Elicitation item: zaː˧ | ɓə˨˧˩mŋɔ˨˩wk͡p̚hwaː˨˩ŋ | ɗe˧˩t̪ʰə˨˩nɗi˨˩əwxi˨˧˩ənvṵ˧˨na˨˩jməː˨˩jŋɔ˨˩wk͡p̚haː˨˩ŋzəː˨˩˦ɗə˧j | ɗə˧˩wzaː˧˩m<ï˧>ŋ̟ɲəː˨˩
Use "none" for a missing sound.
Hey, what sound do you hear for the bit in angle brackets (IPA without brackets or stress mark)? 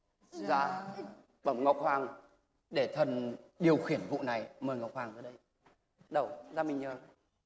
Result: ï˨˩